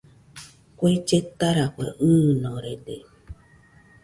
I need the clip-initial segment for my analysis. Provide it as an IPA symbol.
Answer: kʷ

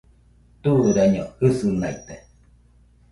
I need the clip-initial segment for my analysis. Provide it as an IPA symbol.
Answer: t̪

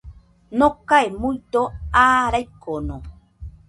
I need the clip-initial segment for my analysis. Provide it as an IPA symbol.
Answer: n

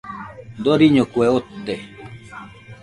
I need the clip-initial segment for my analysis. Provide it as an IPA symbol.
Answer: d̪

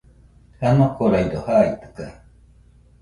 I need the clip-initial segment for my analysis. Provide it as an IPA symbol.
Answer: h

